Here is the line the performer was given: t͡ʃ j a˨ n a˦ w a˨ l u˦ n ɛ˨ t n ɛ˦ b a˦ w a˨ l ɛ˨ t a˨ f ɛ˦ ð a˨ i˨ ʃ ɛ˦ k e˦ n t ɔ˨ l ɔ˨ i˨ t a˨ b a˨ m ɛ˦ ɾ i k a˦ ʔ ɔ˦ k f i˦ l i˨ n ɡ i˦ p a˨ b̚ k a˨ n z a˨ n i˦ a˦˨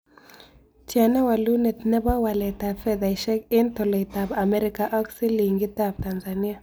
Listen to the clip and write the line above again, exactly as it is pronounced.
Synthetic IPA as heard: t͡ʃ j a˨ n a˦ w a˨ l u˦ n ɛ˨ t n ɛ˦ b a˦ w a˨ l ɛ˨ t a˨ f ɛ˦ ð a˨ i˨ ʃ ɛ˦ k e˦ n t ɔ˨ l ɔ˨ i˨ t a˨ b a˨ m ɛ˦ ɾ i k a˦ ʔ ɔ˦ k s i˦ l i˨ ŋ ɡ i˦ t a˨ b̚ t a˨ n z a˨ n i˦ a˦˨